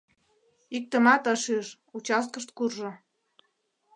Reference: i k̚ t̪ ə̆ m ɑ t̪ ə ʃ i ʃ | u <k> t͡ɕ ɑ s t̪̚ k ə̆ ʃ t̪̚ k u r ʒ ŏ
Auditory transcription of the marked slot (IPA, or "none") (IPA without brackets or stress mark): none